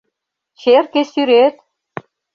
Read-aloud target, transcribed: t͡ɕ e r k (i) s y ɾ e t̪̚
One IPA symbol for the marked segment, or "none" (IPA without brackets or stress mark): e